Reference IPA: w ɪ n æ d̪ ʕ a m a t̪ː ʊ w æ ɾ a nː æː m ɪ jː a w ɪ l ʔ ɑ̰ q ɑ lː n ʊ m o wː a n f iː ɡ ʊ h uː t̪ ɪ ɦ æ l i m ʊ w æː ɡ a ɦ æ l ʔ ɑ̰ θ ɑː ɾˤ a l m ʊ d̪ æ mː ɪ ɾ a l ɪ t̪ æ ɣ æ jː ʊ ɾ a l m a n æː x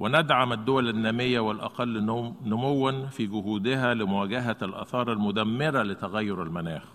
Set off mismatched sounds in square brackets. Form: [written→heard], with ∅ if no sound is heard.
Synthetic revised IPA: w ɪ n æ d̪ ʕ a m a [t̪ː→d̪ː] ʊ w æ [ɾ→l] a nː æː m ɪ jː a w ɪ l ʔ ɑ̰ q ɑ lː n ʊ m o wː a n f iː ɡ ʊ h uː [t̪→d̪] ɪ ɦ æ l [i→ɪ] m ʊ w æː ɡ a ɦ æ l ʔ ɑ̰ θ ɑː ɾˤ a l m ʊ d̪ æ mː ɪ ɾ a l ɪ t̪ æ ɣ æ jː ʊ ɾ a l m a n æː x